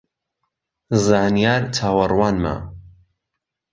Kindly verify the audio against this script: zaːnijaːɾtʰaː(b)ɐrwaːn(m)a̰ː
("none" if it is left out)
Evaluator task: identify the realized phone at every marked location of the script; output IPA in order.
w, m

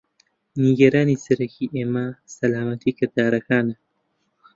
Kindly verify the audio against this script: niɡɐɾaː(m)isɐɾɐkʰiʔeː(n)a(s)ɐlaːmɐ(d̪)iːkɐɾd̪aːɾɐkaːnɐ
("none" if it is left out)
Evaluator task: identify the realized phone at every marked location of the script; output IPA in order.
n, m, s, t̪

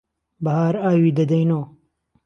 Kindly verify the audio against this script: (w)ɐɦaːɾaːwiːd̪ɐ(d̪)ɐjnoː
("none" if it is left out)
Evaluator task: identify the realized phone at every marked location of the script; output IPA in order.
b, d̪

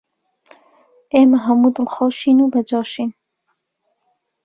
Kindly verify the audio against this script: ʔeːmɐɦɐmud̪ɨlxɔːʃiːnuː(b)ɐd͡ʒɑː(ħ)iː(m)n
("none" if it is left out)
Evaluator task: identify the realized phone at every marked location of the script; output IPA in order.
b, ʃ, none

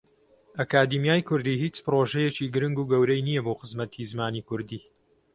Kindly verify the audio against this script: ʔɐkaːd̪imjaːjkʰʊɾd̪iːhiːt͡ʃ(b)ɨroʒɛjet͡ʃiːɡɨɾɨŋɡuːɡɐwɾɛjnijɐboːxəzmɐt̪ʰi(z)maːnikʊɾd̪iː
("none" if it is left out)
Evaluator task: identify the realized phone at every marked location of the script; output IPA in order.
p, z

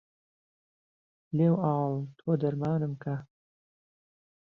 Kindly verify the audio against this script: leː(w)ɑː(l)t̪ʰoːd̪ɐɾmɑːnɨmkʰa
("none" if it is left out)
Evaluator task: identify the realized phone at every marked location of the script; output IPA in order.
w, l

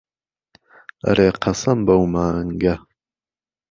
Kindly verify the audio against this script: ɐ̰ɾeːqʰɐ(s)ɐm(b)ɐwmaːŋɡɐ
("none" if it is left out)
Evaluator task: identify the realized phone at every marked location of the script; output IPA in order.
s, b

